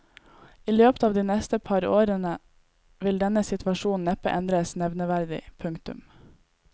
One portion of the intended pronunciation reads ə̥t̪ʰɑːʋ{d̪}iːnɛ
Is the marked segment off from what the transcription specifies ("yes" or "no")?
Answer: no